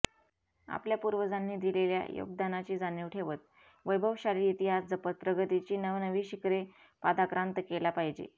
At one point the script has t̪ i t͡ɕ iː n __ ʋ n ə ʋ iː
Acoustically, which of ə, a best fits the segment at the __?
ə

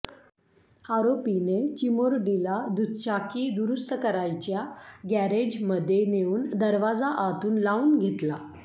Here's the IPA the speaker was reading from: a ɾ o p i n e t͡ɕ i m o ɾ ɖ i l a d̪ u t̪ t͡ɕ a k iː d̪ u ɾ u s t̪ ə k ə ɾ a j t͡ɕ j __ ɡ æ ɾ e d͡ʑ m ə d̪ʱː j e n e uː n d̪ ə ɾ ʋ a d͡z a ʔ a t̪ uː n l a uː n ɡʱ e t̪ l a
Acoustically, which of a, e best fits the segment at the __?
a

